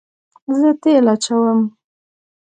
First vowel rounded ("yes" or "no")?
no